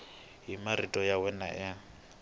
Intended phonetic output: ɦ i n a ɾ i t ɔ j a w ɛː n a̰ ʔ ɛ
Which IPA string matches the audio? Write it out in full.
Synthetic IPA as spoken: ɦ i m a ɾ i tʼ ɔ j a w ɛ n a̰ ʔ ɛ

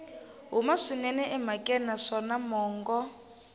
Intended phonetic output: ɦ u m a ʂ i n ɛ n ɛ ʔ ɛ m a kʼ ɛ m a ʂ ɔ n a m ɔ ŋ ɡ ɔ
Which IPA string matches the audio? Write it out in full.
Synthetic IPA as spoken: ɦ u m a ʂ i n ɛ n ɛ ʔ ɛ m a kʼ ɛ n a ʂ ɔ n a m ɔː ŋ ɡ ɔ

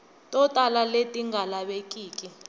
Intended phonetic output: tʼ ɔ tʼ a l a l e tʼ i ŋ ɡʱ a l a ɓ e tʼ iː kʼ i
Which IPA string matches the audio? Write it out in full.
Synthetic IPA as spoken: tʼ ɔ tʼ a l a l e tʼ i ŋ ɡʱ a l a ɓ e kʼ iː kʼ i

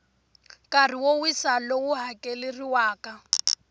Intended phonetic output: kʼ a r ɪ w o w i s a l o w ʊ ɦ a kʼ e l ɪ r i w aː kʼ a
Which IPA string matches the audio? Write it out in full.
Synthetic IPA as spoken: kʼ a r i w o w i s a l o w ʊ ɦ a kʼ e l ɪ r i w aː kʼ a

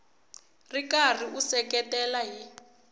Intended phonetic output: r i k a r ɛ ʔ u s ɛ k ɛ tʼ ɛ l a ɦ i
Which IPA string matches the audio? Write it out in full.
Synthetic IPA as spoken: r i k a r i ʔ u s ɛ k ɛ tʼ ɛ l a ɦ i

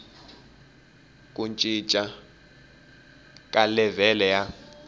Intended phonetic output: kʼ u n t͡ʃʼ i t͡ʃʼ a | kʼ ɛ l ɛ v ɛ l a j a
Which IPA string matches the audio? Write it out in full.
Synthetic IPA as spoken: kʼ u n t͡ʃʼ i t͡ʃʼ a | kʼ a l ɛ v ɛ l ɛ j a

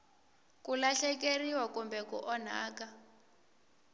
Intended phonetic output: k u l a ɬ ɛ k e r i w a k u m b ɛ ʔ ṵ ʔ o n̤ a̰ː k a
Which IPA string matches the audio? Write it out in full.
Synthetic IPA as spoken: k u l a ɬ ɛ k e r i w a k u m b ɛ k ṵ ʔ ɔ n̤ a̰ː k a

